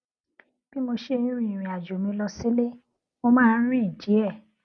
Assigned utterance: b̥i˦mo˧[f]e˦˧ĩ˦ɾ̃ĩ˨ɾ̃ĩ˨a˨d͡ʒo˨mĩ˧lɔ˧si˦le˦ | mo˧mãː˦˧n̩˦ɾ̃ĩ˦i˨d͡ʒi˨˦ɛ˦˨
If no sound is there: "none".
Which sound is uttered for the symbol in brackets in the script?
ʃ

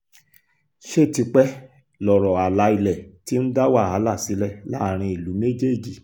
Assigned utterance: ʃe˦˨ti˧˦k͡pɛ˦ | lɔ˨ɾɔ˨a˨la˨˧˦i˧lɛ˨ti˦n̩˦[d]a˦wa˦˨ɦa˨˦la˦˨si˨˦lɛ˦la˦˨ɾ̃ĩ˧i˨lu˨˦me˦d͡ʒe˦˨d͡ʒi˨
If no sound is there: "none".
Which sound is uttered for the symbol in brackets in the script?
d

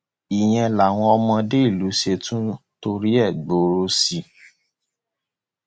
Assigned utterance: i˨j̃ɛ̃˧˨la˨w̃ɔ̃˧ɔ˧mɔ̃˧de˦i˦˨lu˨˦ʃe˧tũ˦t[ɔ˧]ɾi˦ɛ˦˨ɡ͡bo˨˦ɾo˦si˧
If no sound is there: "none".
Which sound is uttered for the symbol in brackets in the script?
o˧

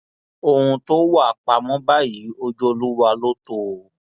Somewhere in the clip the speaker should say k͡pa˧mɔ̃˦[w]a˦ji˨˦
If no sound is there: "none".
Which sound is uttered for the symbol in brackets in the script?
b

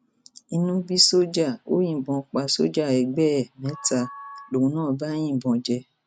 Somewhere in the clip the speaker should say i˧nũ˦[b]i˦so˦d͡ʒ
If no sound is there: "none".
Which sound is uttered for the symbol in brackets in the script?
b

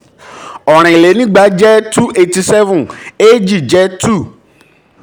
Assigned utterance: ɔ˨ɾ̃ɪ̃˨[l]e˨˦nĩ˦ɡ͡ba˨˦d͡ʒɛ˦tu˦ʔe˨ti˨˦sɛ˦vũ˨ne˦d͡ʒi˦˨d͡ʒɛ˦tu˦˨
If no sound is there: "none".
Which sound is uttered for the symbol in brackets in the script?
l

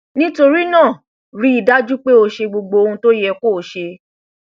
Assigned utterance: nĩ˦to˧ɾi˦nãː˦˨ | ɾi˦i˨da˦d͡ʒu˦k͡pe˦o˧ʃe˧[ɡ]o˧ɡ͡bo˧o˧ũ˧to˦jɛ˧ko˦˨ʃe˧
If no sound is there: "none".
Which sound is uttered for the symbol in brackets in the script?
ɡ͡b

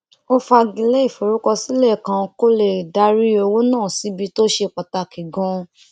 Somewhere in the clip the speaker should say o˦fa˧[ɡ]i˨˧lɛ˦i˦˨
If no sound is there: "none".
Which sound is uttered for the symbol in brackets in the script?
ɡ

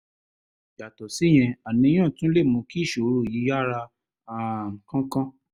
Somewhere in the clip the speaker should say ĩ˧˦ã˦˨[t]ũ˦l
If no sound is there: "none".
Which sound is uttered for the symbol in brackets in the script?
t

